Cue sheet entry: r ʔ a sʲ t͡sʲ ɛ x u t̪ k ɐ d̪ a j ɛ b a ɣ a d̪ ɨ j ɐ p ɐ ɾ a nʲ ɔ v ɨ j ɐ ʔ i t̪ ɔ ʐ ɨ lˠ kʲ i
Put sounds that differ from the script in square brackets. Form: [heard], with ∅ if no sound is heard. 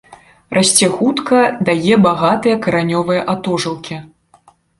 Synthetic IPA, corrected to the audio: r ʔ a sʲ t͡sʲ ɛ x u t̪ k ɐ d̪ a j ɛ b a ɣ a [t̪] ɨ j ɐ [k] ɐ ɾ a nʲ ɔ v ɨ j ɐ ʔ [a] t̪ ɔ ʐ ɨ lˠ kʲ i